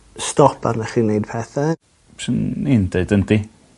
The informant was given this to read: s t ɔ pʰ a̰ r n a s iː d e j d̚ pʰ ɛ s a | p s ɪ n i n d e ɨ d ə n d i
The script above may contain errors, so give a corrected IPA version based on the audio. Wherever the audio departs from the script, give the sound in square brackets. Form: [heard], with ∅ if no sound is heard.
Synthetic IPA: s t ɔ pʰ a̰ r n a [χ] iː [n] e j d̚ pʰ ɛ [θ] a | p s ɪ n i n d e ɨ d ə n d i